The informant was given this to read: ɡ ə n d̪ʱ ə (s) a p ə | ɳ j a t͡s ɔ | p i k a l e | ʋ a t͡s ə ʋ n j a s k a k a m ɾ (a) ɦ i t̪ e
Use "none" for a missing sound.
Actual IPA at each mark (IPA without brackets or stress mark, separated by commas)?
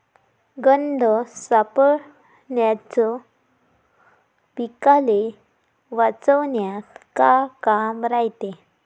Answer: s, a